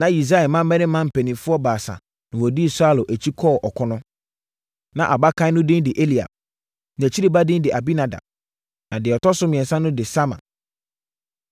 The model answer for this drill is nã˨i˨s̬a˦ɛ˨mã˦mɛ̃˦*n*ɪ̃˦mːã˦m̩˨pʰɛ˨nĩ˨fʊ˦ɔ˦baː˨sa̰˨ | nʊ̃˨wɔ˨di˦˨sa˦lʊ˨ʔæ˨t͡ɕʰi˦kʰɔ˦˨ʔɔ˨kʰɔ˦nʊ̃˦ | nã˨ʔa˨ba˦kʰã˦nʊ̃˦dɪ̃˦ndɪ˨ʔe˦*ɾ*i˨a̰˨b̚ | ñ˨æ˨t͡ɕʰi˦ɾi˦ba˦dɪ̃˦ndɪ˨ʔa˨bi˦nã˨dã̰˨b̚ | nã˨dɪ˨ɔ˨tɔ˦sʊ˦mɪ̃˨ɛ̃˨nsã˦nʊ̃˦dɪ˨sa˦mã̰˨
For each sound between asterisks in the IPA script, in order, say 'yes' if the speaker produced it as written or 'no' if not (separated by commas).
yes, no